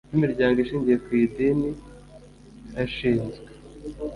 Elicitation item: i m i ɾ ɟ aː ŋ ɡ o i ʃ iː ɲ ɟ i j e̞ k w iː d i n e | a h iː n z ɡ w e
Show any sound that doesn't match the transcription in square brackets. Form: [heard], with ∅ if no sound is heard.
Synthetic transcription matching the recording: i m i ɾ ɟ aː ŋ ɡ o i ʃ iː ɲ ɟ i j e̞ k w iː d i n [i] | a [ʃ] iː n z ɡ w e